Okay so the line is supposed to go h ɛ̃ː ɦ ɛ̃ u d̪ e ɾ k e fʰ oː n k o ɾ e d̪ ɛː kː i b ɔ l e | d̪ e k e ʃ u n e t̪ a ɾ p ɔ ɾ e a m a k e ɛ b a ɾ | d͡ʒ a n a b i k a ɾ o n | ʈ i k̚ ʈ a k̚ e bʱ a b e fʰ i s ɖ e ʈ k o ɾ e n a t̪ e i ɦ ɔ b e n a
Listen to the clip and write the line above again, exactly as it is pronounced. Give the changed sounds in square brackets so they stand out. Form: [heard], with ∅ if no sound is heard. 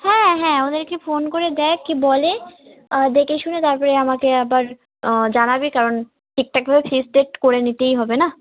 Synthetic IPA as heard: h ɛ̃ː ɦ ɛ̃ [o] d̪ e ɾ k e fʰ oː n k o ɾ e d̪ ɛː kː i b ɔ l e | d̪ e k e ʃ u n e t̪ a ɾ p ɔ ɾ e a m a k e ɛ b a ɾ | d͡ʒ a n a b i k a ɾ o n | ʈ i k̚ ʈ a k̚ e bʱ a b e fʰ i s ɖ e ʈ k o ɾ e n [i] t̪ e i ɦ ɔ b e n a

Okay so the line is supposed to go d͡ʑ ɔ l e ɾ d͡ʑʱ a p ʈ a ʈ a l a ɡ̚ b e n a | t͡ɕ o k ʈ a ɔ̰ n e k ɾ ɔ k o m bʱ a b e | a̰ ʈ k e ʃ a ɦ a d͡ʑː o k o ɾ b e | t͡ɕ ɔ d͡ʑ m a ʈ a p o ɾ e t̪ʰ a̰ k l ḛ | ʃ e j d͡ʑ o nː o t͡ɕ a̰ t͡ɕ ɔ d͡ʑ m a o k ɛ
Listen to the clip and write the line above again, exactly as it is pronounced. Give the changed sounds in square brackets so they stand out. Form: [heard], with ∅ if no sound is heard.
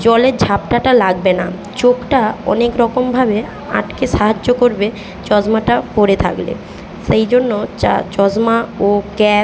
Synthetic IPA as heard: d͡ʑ ɔ l e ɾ d͡ʑʱ a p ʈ a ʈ a l a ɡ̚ b e n a | t͡ɕ o k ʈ a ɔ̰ n e k ɾ ɔ k o m bʱ a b e | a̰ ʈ k e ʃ a ɦ a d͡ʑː o k o ɾ b e | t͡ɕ ɔ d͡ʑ m a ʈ a p o ɾ e t̪ʰ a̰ k l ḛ | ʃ e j d͡ʑ o nː o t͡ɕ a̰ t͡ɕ ɔ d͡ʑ m a o k ɛ

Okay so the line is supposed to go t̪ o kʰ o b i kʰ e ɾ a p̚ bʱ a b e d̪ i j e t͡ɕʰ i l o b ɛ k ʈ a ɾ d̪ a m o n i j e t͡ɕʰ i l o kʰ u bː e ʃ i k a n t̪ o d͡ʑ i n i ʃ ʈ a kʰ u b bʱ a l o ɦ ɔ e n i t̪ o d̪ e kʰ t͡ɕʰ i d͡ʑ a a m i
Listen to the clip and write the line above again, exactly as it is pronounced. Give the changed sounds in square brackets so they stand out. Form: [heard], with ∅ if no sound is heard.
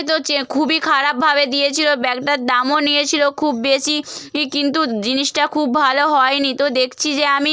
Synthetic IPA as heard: t̪ o kʰ [u] b i kʰ [a] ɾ a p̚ bʱ a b e d̪ i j e t͡ɕʰ i l o b ɛ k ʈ a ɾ d̪ a m o n i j e t͡ɕʰ i l o kʰ u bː e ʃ i k [i] n t̪ [u] d͡ʑ i n i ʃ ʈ a kʰ u b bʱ a l o ɦ ɔ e n i t̪ o d̪ e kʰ t͡ɕʰ i d͡ʑ [e] a m i

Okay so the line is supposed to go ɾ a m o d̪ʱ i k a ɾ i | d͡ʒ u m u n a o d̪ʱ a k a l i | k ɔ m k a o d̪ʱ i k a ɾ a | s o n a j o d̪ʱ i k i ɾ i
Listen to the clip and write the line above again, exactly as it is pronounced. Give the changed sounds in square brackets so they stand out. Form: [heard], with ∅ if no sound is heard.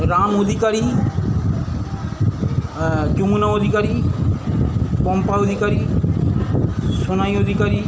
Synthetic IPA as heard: ɾ a m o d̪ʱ i k a ɾ i | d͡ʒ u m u n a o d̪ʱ [i] k a [ɾ] i | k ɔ m [p] a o d̪ʱ i k a ɾ [i] | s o n a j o d̪ʱ i k [a] ɾ i

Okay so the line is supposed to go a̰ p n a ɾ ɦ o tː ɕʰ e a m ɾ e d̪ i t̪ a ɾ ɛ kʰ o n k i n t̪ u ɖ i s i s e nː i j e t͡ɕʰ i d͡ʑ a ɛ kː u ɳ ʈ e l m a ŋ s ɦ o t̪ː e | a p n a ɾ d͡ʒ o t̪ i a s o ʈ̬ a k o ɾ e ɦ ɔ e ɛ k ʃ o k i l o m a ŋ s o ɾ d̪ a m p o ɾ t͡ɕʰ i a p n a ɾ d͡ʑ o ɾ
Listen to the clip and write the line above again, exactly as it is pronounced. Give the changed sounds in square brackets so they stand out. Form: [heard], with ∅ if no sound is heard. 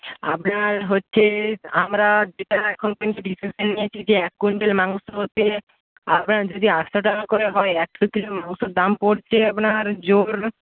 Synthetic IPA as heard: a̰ p n a ɾ ɦ o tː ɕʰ e a m ɾ [a] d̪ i t̪ a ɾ ɛ kʰ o n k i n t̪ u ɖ i s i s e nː i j e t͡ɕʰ i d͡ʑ [e] ɛ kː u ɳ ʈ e l m a ŋ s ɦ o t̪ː e | a p n a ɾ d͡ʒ o [d̪] i a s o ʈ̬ a k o ɾ e ɦ ɔ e ɛ k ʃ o k i l o m a ŋ s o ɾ d̪ a m p o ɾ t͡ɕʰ [e] a p n a ɾ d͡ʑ o ɾ

